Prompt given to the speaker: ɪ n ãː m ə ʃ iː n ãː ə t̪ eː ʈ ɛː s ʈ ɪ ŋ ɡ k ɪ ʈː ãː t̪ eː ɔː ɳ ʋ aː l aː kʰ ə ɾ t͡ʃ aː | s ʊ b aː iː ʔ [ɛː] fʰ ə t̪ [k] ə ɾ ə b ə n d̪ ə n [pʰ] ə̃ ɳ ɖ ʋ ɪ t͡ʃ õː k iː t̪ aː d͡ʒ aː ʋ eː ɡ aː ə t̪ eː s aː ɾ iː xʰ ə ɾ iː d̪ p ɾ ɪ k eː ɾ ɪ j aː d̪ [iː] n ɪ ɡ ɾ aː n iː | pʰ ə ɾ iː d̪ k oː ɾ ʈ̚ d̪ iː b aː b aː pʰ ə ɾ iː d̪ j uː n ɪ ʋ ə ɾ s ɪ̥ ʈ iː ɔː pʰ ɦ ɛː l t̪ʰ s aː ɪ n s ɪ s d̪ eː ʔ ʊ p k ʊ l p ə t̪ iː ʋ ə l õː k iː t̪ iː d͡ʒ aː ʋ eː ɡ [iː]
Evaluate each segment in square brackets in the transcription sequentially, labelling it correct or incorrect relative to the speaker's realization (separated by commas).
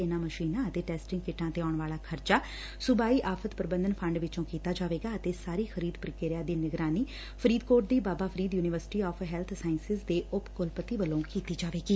incorrect, incorrect, correct, correct, correct